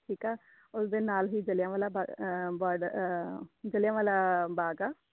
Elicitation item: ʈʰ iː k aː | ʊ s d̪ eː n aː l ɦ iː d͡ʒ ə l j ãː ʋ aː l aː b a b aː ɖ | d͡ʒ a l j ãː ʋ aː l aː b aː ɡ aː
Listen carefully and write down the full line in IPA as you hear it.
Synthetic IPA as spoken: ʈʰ iː k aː | ʊ s d̪ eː n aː l ɦ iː d͡ʒ ə l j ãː ʋ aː l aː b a b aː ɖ | d͡ʒ ə l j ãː ʋ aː l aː b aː ɡ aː